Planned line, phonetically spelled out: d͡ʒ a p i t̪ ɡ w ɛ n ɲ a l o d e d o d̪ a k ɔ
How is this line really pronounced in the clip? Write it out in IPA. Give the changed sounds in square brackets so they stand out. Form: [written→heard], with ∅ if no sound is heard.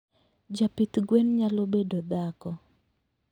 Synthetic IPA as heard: d͡ʒ a p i t̪ ɡ w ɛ n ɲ a l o [d→b] e d o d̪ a k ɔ